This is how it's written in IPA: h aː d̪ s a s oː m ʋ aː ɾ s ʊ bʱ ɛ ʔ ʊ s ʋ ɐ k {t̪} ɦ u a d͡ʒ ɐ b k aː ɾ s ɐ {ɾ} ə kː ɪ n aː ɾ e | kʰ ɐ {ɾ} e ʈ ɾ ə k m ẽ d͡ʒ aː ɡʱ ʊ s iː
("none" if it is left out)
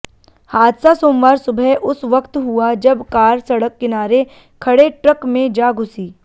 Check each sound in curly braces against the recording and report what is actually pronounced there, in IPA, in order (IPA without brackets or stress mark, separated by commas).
t̪, ɽ, ɽ